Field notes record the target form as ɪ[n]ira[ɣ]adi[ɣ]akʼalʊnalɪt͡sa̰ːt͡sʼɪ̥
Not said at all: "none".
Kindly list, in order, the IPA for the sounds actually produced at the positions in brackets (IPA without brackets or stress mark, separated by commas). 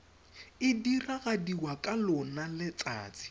d, ɣ, w